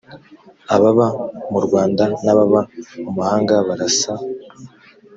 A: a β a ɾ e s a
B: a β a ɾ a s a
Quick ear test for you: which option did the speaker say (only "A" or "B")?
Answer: B